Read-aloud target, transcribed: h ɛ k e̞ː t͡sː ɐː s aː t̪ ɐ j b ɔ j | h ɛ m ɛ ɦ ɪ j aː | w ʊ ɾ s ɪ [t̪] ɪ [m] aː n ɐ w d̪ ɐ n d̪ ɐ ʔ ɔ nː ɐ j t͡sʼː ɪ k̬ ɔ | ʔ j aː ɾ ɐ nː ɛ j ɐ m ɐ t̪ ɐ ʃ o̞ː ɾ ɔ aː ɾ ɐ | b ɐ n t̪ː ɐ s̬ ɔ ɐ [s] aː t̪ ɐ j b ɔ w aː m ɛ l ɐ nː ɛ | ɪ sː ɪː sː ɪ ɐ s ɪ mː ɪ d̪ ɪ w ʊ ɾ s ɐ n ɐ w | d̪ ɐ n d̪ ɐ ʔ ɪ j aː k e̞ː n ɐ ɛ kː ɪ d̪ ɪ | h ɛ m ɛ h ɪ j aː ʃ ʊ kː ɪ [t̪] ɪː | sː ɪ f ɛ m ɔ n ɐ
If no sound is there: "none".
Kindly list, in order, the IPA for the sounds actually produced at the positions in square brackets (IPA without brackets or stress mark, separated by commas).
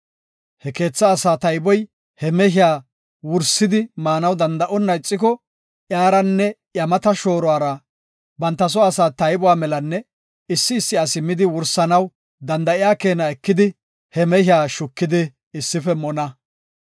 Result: d̪, m, s, d̪